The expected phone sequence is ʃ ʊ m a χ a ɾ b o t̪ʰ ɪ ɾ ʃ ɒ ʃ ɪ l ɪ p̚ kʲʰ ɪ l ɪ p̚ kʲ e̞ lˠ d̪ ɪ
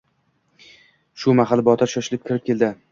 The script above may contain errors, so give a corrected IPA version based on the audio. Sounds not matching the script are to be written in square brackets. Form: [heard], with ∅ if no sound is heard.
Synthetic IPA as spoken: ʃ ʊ m a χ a [l] b [ɒ] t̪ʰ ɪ ɾ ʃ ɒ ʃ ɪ l ɪ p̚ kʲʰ ɪ [ɾ] ɪ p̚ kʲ e̞ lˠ d̪ ɪ